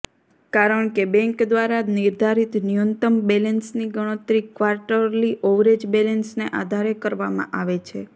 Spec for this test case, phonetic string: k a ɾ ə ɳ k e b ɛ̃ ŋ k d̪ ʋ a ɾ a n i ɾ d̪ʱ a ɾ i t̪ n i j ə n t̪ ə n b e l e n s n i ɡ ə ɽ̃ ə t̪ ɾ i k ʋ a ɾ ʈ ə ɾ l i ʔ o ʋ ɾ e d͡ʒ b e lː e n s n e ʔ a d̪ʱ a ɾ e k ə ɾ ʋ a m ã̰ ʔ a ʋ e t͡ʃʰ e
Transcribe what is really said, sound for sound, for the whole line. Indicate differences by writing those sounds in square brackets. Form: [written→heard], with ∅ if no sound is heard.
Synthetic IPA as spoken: k a ɾ ə ɳ k e b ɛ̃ ŋ k d̪ ʋ a ɾ a n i ɾ d̪ʱ a ɾ i t̪ n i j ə n t̪ ə [n→m] b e l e n s n i ɡ ə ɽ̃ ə t̪ ɾ i k ʋ a ɾ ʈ ə ɾ l i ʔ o ʋ ɾ e d͡ʒ b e [lː→l] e n s n e ʔ a d̪ʱ a ɾ e k ə ɾ ʋ a m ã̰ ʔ a ʋ e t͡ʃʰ e